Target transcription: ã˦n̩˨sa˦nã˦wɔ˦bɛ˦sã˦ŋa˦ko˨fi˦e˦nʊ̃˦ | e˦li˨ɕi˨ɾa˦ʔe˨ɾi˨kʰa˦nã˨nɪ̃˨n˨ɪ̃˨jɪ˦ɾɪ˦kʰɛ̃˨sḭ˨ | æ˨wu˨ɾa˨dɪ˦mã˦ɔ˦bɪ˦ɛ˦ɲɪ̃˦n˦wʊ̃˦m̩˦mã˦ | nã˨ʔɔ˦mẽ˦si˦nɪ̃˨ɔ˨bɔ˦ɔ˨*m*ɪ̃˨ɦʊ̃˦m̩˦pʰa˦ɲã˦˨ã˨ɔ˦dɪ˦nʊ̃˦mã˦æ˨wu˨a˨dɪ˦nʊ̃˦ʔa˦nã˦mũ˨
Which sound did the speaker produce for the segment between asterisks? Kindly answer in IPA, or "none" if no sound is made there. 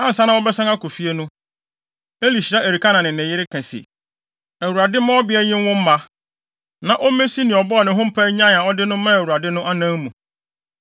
n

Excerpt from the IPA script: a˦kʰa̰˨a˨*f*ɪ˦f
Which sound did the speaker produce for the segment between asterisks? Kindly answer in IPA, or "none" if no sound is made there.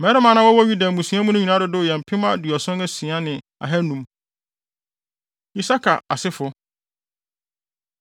s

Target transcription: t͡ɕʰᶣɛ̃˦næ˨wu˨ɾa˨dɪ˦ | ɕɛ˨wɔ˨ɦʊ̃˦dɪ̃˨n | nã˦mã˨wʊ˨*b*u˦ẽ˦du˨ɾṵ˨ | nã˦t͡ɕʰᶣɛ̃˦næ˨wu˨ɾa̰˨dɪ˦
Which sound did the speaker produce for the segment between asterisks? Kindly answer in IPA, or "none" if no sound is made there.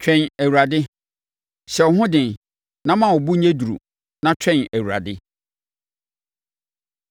b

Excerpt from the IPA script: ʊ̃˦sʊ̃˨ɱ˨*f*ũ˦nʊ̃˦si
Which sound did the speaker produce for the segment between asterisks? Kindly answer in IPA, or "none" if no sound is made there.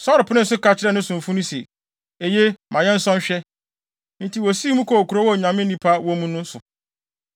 f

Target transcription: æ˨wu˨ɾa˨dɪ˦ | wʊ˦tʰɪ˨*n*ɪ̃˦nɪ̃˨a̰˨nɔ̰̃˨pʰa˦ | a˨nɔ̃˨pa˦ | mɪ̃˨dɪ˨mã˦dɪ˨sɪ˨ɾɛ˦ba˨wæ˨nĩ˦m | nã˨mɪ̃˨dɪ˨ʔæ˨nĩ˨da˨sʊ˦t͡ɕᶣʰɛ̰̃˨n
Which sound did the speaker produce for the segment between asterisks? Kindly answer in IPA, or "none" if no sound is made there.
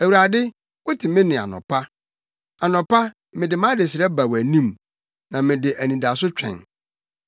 m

